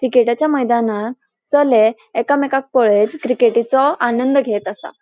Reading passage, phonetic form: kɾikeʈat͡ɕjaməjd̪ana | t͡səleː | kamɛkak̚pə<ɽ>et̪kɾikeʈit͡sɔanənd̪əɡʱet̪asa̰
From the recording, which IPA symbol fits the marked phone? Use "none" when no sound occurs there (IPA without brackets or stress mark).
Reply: ɭ